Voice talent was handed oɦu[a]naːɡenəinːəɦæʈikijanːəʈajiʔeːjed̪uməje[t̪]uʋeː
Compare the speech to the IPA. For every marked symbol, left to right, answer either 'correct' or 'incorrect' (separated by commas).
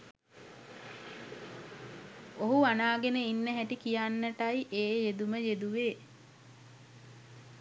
correct, incorrect